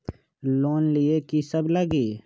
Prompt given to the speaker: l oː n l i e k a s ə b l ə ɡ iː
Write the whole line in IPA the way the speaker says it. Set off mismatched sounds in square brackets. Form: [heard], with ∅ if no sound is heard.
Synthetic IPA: l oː n l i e k [i] s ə b l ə ɡ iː